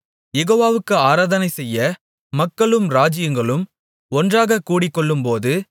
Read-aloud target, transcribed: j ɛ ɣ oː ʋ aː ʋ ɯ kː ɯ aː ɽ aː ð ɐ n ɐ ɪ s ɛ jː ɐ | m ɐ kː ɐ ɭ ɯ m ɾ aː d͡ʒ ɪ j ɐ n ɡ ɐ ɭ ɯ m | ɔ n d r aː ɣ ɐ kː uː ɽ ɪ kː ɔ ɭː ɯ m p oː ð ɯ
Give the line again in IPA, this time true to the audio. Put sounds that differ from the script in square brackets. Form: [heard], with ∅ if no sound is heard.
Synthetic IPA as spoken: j ɛ ɣ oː ʋ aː ʋ ɯ kː ɯ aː [ɾ] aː ð ɐ n ɐ ɪ s ɛ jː ɐ | m ɐ kː ɐ ɭ ɯ m ɾ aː d͡ʒ ɪ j ɐ [ŋ] ɡ ɐ ɭ ɯ m | ɔ n d r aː ɣ ɐ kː uː ɽ ɪ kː ɔ ɭː ɯ m p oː ð ɯ